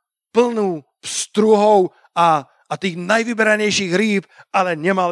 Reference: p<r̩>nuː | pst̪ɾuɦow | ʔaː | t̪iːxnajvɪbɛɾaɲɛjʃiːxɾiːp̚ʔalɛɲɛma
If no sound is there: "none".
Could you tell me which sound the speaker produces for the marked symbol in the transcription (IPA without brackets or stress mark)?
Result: l̩